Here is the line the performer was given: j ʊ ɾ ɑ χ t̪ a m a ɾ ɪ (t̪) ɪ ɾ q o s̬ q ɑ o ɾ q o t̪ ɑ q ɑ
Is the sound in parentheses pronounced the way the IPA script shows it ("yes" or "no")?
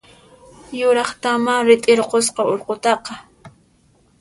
no